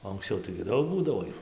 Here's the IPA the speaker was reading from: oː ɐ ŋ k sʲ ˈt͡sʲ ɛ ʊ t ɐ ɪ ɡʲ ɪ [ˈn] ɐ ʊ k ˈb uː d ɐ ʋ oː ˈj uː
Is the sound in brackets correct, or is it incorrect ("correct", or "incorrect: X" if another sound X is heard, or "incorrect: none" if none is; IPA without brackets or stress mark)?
incorrect: d